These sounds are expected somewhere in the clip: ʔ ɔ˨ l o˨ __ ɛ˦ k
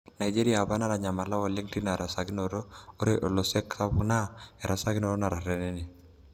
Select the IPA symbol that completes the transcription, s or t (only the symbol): s